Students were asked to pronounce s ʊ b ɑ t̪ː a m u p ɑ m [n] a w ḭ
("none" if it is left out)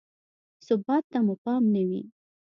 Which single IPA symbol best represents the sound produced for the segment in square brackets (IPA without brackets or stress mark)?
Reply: n